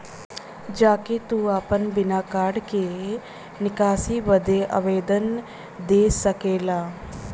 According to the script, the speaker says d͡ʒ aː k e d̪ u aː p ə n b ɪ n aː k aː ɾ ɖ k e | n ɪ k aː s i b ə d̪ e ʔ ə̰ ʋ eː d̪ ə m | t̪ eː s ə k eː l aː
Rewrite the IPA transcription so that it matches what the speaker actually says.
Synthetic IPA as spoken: d͡ʒ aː k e t̪ u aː p ə n b ɪ n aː k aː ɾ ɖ k e | n ɪ k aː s i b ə d̪ e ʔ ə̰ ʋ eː d̪ ə n | d̪ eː s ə k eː l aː